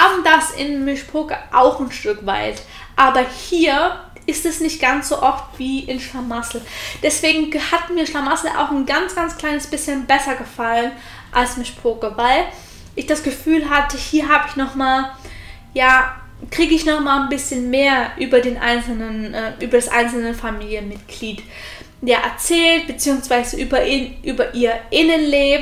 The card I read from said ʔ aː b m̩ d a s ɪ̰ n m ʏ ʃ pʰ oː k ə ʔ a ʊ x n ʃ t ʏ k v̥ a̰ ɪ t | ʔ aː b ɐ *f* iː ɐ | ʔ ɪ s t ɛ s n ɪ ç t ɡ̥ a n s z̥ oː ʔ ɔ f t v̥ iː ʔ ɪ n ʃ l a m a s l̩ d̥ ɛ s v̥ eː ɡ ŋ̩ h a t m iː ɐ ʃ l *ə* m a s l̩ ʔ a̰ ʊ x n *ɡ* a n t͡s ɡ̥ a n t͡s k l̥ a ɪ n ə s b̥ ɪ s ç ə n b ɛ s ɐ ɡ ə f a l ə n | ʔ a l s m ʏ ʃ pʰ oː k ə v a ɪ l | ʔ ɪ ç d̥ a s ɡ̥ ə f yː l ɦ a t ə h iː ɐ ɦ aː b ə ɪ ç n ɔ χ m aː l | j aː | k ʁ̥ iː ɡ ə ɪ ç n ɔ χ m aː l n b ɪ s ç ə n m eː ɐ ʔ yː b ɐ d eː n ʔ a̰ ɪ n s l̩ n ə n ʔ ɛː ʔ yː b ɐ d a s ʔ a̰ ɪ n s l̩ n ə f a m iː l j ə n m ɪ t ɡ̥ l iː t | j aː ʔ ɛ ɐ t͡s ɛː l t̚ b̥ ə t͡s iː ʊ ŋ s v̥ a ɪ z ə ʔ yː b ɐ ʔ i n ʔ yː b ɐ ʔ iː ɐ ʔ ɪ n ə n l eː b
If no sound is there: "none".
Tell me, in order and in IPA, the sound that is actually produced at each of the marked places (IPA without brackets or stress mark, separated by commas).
h, a, ɡ